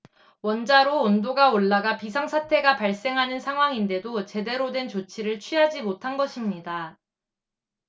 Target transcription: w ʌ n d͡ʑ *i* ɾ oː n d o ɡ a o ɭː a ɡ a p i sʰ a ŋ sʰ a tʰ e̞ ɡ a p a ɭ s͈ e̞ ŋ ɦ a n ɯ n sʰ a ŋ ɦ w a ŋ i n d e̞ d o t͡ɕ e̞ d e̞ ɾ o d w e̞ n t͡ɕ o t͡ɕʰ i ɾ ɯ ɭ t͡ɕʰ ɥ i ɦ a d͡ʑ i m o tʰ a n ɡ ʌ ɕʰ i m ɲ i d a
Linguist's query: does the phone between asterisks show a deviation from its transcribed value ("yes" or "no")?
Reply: yes